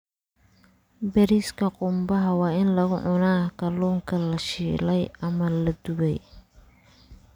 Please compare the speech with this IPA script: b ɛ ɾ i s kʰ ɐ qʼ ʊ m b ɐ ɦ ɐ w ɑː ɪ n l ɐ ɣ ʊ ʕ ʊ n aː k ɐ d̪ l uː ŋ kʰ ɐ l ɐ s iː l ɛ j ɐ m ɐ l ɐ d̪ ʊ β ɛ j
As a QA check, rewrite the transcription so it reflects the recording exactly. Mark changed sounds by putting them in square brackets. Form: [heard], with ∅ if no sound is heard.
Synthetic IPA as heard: b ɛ ɾ i s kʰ ɐ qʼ ʊ m b ɐ ɦ ɐ w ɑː ɪ n l ɐ ɣ ʊ ʕ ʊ n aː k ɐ [∅] l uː ŋ kʰ ɐ l ɐ [ʃ] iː l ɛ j ɐ m ɐ l ɐ d̪ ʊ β ɛ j